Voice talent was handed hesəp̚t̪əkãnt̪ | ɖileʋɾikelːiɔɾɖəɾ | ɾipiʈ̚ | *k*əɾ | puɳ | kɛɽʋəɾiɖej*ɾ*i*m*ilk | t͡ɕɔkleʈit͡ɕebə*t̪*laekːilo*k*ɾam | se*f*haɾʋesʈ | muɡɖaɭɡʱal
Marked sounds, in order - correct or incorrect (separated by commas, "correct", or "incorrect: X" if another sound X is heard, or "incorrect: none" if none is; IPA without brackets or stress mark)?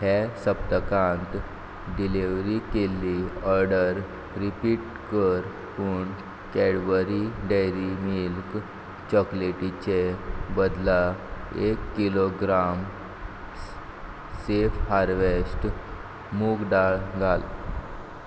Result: correct, correct, correct, incorrect: d̪, incorrect: ɡ, correct